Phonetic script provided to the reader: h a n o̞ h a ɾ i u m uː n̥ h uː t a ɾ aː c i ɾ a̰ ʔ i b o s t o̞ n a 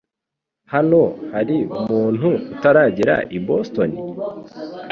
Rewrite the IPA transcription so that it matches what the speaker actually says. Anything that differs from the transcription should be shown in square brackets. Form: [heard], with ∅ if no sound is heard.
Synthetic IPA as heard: h a n o̞ h a ɾ i u m uː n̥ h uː t a ɾ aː [ɟ] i ɾ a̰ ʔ i b o s t o̞ n [i]